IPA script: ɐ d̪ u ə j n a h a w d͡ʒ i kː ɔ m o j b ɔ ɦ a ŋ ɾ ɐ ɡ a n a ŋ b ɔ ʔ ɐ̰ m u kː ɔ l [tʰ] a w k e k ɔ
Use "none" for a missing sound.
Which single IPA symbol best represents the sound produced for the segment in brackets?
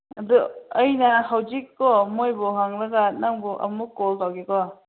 t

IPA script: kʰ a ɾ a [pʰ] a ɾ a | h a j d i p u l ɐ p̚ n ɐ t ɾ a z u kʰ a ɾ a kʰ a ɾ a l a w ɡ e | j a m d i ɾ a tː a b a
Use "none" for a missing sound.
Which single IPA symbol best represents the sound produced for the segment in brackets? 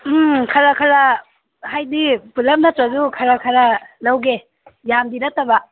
kʰ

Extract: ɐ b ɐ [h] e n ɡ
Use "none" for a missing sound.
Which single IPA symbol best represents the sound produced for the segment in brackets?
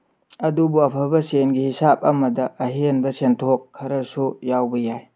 s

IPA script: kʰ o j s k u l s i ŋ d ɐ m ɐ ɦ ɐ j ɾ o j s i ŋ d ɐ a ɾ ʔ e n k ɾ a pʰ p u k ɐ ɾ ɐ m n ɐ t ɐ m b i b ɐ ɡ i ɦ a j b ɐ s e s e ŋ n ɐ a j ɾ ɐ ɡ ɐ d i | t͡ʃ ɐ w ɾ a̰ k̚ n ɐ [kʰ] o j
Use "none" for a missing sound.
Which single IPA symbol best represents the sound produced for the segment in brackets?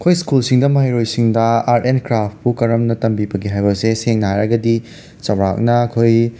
kʰ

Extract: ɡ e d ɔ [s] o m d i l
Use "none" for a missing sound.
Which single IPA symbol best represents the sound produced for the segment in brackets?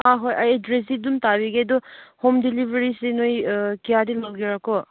h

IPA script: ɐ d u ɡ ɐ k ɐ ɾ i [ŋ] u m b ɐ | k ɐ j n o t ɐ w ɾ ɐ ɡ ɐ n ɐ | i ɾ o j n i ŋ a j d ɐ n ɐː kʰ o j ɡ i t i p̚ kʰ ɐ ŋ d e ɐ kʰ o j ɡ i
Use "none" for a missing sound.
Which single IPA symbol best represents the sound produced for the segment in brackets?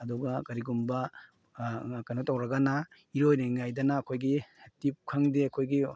ɡ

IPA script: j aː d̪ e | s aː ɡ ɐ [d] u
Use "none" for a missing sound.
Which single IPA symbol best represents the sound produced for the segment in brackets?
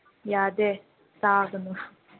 n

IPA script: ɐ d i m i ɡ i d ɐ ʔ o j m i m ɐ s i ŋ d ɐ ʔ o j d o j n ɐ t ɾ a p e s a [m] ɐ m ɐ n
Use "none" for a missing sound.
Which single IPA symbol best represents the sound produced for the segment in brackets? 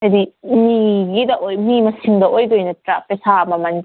m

